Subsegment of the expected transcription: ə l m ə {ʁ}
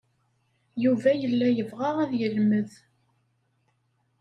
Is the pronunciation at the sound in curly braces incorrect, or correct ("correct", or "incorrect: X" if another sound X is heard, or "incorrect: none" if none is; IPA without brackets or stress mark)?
incorrect: ð